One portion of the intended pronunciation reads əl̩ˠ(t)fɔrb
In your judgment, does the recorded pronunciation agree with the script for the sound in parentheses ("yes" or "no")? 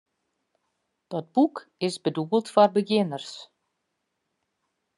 yes